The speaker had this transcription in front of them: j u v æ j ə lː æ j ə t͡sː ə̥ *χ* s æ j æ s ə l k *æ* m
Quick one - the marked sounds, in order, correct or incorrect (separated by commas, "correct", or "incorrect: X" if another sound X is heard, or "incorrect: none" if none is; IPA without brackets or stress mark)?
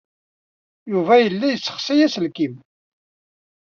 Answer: correct, incorrect: i